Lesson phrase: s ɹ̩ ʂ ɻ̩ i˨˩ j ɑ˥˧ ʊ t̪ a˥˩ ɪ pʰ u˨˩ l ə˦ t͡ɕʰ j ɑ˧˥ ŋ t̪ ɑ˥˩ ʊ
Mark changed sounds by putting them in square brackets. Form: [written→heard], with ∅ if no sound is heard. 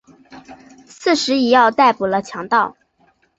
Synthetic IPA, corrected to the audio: s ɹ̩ ʂ ɻ̩ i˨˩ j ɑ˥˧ ʊ t̪ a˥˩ ɪ [pʰ→p] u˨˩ l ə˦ t͡ɕʰ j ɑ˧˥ ŋ t̪ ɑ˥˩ ʊ